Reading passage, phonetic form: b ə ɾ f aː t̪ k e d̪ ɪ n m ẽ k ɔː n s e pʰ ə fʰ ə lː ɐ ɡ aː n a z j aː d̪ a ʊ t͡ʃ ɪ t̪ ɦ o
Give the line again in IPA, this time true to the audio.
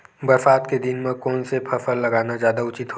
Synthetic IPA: b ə ɾ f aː t̪ k e d̪ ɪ n m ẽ k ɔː n s e pʰ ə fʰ ə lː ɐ ɡ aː n a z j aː d̪ a ʊ t͡ʃ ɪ t̪ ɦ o

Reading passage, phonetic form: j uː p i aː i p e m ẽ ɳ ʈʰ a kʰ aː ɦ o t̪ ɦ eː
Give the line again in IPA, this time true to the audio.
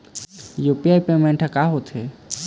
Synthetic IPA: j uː p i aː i p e m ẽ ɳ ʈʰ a k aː ɦ o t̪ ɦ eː

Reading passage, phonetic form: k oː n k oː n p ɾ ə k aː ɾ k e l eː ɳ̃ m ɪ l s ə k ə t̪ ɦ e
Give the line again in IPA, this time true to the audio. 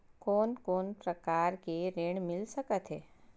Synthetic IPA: k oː n k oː n p ɾ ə k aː ɾ k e ɾ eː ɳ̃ m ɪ l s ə k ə t̪ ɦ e

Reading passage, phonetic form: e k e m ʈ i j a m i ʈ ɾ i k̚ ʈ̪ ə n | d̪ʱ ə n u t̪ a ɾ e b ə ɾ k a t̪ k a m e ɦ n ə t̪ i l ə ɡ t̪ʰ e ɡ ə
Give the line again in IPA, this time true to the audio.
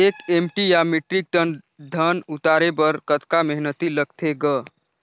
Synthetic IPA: e k e m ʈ i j a m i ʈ ɾ i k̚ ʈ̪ ə n | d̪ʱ ə n u t̪ a ɾ e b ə ɾ k ə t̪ k a m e ɦ n ə t̪ i l ə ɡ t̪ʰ e ɡ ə

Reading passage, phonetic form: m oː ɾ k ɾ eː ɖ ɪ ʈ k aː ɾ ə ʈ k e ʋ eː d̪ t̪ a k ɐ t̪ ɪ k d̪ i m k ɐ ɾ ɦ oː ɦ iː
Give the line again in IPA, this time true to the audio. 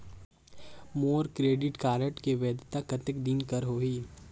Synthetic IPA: m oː ɾ k ɾ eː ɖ ɪ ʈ k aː ɾ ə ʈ k e ʋ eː d̪ t̪ a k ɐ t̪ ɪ k d̪ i n k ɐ ɾ ɦ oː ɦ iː

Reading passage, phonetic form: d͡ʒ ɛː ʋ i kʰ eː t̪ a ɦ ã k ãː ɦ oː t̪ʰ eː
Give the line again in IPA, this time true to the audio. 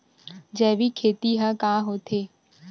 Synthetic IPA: d͡ʒ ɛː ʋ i kʰ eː t̪ i ɦ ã k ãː ɦ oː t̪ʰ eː

